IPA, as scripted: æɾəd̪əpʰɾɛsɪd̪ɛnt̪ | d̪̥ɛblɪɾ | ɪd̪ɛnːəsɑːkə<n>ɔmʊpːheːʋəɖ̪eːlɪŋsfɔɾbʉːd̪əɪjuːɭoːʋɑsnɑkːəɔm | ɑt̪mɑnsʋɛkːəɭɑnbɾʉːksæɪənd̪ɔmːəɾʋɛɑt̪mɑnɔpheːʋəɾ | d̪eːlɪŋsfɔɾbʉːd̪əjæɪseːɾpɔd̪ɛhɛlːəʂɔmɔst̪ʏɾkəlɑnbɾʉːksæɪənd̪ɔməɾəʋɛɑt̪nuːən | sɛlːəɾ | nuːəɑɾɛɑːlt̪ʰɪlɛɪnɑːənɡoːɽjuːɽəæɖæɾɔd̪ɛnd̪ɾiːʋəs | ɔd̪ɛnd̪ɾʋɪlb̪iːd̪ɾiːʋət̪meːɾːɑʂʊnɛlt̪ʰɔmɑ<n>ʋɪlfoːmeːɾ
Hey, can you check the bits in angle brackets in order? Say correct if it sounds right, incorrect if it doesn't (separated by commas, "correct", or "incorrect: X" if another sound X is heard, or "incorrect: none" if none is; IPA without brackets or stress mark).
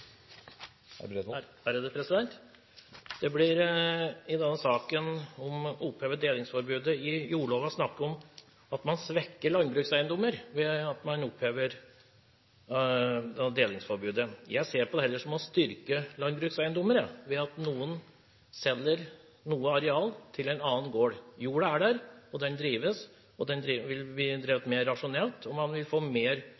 correct, correct